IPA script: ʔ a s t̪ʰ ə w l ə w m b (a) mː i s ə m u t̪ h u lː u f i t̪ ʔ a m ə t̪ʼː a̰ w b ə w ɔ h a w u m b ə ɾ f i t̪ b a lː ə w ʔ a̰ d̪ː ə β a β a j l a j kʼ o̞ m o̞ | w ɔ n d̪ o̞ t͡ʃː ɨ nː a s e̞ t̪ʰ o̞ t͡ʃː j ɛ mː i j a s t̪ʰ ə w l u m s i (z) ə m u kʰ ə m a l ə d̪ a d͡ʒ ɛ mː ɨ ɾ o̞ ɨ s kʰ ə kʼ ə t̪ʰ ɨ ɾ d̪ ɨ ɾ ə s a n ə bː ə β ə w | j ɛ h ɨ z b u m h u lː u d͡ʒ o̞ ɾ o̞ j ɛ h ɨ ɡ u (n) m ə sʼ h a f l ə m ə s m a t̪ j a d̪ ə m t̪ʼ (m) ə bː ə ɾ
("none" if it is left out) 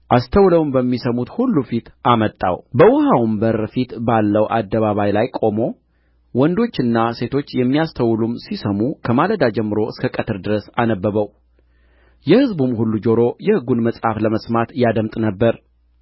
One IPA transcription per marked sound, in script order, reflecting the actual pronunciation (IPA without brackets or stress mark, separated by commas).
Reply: ə, s, n, n